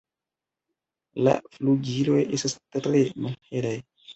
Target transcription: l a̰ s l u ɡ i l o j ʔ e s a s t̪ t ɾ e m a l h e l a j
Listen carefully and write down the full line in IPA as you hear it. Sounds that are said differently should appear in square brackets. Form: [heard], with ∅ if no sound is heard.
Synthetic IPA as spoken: l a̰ [f] l u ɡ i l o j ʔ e s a s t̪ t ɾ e m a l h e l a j